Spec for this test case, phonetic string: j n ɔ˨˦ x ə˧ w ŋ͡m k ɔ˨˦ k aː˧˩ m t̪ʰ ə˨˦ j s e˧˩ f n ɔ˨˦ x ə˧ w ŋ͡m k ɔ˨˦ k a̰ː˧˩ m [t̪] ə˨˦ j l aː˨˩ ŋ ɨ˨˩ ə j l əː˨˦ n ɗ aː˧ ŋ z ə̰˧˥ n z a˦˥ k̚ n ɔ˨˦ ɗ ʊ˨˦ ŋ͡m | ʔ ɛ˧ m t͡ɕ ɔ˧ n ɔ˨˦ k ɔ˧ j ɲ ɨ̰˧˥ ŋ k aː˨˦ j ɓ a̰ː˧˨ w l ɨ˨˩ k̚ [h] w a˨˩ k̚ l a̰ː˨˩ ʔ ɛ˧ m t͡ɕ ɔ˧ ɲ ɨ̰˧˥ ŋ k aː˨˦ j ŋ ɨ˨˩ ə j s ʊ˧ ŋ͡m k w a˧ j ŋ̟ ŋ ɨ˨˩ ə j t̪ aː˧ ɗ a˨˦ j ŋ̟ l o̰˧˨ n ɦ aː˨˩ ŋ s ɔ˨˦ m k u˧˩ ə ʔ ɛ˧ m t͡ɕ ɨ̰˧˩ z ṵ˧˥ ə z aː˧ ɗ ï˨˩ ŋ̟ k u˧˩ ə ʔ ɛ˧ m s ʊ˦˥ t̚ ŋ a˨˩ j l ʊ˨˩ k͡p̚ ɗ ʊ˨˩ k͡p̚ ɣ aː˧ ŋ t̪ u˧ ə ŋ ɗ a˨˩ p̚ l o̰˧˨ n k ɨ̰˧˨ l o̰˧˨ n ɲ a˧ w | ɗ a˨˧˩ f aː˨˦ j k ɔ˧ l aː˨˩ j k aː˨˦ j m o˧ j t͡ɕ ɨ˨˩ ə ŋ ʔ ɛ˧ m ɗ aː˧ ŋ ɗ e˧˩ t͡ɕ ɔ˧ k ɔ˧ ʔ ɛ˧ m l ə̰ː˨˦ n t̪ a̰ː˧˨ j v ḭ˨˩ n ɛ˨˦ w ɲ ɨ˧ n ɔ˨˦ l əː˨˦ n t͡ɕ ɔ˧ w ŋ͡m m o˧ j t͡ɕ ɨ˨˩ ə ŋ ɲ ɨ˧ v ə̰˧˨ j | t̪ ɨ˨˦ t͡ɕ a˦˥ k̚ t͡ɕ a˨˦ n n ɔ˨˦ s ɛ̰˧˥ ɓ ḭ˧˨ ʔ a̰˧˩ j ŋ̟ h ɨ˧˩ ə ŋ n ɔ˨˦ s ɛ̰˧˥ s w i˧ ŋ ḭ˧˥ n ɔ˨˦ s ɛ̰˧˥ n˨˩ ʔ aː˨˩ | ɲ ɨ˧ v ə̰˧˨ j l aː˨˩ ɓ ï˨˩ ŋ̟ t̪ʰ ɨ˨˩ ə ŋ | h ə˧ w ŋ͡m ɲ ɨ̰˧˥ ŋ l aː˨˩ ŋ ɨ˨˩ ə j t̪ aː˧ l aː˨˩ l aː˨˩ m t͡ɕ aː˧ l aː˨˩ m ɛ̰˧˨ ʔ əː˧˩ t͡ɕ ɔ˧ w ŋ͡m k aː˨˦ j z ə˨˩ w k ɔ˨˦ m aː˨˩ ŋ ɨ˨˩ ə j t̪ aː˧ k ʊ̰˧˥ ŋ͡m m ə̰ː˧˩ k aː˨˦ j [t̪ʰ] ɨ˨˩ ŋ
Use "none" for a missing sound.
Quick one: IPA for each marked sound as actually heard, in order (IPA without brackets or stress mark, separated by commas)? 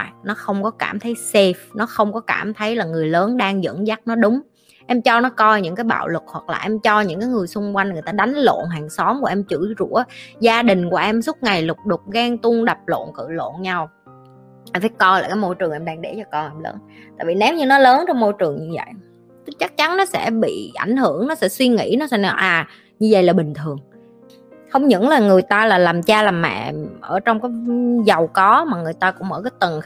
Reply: t̪ʰ, h, t̪